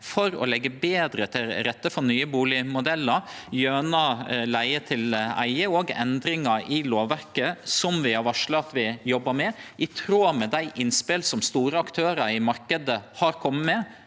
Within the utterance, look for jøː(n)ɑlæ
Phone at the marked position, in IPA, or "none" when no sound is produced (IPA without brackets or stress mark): n